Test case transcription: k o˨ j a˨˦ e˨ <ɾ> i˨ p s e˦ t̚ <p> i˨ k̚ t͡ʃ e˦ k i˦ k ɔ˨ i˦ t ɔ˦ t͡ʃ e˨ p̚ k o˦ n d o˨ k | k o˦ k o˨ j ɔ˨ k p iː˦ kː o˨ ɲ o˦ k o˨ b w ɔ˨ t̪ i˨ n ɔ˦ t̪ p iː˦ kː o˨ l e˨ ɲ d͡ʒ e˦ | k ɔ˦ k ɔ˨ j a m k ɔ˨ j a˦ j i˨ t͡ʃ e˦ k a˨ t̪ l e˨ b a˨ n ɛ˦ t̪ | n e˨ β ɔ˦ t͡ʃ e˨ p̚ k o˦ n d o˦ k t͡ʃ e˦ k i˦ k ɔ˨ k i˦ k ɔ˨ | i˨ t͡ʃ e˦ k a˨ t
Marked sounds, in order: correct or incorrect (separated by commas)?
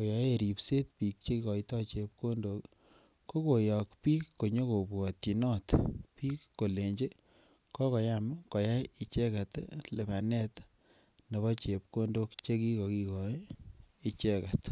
correct, correct